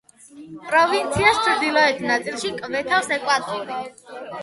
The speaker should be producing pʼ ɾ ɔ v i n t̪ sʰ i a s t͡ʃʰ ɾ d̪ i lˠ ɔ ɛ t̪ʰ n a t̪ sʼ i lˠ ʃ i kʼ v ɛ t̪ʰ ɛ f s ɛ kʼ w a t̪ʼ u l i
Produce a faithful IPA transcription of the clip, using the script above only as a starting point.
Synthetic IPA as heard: pʼ ɾ ɔ v i n t̪ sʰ i a s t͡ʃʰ ɾ d̪ i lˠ ɔ ɛ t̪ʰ n a t̪ sʼ i lˠ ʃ i kʼ v ɛ t̪ʰ a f s ɛ kʼ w a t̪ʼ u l i